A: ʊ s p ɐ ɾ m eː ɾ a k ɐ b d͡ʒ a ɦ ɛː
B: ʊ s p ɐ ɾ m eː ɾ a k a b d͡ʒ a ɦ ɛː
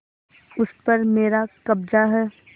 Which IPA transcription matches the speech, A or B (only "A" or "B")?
A